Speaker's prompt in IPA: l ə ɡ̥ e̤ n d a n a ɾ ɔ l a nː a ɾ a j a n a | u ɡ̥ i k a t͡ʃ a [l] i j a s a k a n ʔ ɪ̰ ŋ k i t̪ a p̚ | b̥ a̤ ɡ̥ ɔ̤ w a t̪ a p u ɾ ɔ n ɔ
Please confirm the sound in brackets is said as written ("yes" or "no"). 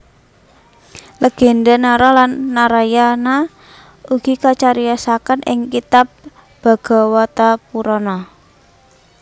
no